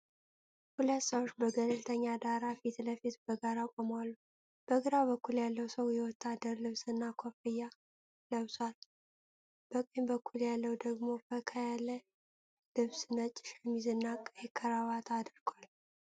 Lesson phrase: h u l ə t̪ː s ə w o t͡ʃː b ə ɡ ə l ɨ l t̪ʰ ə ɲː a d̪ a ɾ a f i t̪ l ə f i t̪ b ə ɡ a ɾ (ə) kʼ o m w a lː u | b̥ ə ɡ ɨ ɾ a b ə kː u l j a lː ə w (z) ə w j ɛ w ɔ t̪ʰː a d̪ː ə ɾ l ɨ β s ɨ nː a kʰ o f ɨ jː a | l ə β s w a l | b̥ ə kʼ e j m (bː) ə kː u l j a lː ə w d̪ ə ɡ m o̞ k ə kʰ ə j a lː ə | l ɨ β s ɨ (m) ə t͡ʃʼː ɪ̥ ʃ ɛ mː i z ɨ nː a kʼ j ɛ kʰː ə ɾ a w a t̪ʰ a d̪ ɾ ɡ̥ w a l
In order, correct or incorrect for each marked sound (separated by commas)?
incorrect, incorrect, incorrect, incorrect